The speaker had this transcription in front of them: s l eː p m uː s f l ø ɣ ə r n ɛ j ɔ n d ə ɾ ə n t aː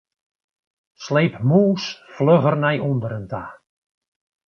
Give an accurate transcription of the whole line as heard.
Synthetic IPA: s l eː p m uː s f l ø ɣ ə r n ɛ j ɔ n d ə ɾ ə n t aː